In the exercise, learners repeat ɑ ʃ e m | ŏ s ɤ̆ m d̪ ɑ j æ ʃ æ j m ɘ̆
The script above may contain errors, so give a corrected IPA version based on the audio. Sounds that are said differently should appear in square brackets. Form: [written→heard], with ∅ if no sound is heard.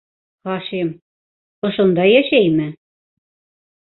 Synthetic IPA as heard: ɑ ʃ e m | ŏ [s→ʃ] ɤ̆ [m→n] d̪ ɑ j æ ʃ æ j m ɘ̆